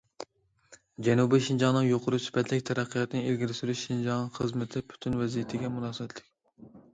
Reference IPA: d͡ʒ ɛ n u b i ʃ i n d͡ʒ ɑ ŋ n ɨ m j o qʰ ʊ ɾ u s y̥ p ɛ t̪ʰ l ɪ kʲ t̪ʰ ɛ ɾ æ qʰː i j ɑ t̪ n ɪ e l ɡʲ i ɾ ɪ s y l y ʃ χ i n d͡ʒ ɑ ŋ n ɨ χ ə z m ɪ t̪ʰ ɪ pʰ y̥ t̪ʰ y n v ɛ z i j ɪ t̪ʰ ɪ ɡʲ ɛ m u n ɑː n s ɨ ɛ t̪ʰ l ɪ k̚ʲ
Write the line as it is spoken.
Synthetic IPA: d͡ʒ ɛ n u b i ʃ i n d͡ʒ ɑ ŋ n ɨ ŋ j o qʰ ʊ ɾ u s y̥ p ɛ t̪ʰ l ɪ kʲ t̪ʰ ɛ ɾ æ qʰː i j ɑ t̪ n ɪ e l ɡʲ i ɾ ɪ s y ɾ y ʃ ʃ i n d͡ʒ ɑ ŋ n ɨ χ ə z m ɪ t̪ʰ ɪ pʰ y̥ t̪ʰ y n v ɛ z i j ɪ t̪ʰ ɪ ɡʲ ɛ m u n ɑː s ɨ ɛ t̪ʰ l ɪ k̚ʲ